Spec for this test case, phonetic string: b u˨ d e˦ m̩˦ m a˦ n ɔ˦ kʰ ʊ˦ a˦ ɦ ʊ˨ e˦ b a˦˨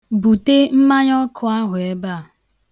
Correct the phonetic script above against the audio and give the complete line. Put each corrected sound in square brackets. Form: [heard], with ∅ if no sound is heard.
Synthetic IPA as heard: b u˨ [t] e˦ m̩˦ m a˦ [ɲ] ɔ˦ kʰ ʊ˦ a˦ ɦ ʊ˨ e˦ b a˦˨